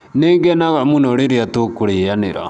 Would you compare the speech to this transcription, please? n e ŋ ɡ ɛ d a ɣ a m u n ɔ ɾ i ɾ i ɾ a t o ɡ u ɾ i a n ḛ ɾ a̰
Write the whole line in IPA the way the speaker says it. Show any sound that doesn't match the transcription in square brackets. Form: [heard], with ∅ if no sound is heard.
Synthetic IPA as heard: n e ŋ ɡ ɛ [n] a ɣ a m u n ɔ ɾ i ɾ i [∅] a t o [k] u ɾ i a n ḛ ɾ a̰